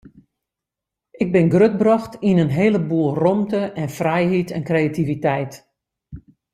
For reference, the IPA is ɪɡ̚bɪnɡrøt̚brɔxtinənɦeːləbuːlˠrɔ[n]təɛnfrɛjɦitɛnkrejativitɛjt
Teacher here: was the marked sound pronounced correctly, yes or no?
no